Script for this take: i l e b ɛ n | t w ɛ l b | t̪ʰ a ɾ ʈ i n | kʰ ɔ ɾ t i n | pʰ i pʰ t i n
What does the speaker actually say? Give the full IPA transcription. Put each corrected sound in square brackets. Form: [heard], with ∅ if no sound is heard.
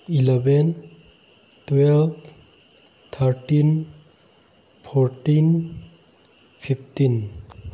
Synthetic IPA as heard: i l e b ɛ n | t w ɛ l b | t̪ʰ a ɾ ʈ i n | [pʰ] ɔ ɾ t i n | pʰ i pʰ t i n